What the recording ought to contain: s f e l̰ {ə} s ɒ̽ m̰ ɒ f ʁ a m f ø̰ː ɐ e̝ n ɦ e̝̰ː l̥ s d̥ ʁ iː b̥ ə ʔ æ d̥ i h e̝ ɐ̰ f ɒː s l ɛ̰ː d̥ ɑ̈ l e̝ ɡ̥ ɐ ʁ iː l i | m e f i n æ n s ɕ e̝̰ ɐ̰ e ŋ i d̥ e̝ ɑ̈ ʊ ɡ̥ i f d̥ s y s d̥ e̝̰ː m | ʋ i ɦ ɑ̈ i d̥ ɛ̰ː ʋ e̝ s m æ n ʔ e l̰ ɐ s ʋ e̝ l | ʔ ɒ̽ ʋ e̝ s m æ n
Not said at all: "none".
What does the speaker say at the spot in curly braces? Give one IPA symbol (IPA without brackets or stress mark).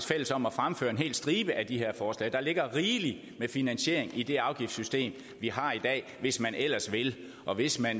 ə